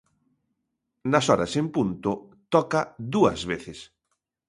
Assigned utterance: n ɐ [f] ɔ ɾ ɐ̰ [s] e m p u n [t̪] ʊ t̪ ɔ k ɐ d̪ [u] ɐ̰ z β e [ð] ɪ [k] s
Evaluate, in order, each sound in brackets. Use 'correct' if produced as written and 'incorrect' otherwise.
incorrect, correct, correct, correct, incorrect, incorrect

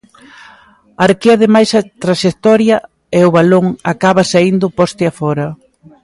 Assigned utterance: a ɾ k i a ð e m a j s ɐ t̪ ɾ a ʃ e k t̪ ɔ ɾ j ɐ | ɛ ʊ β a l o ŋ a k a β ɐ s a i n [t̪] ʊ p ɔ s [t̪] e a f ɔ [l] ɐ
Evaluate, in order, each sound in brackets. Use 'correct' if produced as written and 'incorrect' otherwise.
incorrect, correct, incorrect

